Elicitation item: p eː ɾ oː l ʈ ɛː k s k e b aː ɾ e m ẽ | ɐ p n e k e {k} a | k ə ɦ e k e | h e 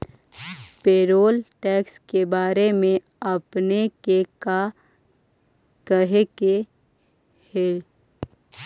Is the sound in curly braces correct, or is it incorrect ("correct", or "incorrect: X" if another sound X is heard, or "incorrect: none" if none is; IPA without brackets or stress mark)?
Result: correct